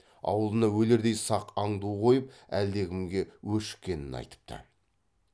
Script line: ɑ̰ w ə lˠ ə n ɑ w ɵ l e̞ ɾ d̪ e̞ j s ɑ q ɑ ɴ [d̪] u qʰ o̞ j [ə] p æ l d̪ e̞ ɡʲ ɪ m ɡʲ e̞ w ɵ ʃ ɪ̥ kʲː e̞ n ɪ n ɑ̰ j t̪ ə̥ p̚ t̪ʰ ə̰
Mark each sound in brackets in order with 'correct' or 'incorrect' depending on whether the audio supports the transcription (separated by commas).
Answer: correct, correct